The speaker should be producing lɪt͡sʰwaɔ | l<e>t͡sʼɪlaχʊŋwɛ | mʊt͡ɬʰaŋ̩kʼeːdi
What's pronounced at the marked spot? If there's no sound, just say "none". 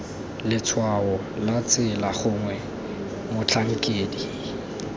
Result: a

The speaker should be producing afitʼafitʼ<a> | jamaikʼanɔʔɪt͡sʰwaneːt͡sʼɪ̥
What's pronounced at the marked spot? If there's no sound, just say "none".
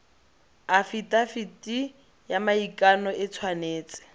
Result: i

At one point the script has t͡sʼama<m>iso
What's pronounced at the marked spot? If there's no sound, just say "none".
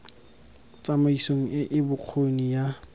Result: none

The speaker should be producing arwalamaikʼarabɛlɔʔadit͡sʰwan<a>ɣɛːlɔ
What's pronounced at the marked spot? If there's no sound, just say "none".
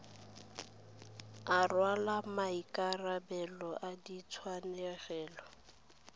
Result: ɛ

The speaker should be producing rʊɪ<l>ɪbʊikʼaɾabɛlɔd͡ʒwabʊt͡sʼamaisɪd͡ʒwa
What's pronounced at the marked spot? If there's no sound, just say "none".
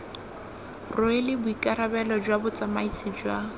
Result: l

